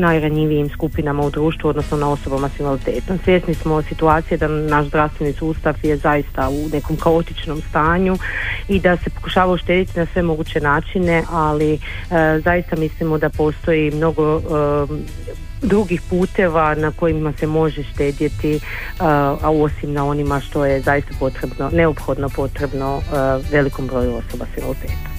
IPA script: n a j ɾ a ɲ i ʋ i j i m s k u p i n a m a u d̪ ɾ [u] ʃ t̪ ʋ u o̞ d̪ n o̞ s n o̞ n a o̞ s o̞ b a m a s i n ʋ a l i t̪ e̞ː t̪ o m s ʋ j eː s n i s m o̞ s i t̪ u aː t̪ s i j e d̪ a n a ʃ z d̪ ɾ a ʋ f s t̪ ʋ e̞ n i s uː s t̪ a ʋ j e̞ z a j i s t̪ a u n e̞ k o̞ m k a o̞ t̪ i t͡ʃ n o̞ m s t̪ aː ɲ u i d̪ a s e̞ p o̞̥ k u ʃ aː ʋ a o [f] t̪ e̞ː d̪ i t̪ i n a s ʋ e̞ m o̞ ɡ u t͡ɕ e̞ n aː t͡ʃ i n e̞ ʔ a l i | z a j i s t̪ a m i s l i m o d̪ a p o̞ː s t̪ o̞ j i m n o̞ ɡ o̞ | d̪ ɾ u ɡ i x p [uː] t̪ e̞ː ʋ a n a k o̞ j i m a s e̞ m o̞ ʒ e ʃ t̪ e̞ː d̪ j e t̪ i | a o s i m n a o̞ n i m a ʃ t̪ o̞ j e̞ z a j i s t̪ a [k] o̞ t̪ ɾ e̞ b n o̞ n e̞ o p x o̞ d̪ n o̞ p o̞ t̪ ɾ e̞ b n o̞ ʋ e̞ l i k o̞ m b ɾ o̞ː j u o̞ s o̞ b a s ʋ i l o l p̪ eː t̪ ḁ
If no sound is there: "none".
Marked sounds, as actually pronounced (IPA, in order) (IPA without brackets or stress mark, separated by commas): uː, ʃ, uː, p